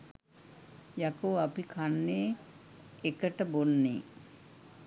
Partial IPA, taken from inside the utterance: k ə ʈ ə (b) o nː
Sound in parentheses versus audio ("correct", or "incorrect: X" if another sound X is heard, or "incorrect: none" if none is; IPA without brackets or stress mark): correct